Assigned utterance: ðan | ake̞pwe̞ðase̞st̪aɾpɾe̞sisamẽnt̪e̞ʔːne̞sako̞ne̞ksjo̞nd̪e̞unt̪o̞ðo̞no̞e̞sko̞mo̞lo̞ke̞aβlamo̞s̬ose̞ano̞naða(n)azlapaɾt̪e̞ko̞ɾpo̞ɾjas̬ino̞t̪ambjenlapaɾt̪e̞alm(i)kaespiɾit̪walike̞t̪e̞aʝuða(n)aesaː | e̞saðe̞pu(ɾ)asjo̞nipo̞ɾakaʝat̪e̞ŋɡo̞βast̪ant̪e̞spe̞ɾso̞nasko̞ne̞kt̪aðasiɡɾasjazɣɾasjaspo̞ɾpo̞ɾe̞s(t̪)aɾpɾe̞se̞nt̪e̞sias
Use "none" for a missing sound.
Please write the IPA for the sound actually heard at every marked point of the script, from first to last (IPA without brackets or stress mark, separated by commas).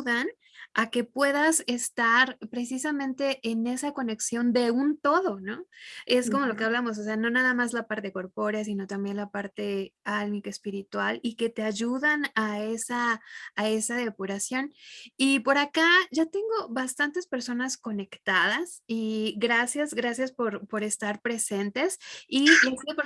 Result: m, i, n, ɾ, t̪